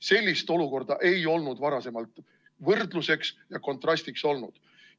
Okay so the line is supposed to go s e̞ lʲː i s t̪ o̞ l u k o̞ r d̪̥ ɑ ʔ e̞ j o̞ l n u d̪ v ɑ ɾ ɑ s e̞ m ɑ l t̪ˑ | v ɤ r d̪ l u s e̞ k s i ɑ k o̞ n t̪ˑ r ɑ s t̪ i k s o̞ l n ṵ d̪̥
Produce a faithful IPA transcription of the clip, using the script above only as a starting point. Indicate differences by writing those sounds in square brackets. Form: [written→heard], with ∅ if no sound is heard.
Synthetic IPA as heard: s e̞ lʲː i s t̪ o̞ l u k o̞ r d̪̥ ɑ ʔ e̞ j o̞ l n u d̪ v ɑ ɾ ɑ s e̞ m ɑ l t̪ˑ | v ɤ r d̪ l u s e̞ k s [i→j] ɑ k o̞ n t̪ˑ r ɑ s t̪ i k s o̞ l n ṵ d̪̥